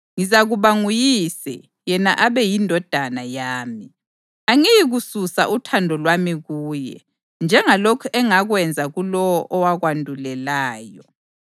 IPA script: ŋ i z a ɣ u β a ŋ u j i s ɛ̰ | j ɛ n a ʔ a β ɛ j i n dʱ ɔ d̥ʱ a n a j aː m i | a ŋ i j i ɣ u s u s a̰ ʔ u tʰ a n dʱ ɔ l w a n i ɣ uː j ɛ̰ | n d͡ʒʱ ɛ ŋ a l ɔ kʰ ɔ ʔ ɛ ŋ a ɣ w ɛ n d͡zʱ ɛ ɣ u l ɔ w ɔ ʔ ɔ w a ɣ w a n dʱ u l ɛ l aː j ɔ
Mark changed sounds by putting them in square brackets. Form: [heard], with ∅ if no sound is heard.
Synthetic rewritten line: ŋ i z a ɣ u β a ŋ u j i s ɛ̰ | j ɛ n a ʔ a β ɛ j i n dʱ ɔ d̥ʱ a n a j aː m i | a ŋ i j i ɣ u s u s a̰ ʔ u tʰ a n dʱ ɔ l w a [m] i ɣ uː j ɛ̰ | n d͡ʒʱ ɛ ŋ a l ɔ kʰ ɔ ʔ ɛ ŋ a ɣ w ɛ n d͡zʱ [a] ɣ u l ɔ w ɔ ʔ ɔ w a ɣ w a n dʱ u l ɛ l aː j ɔ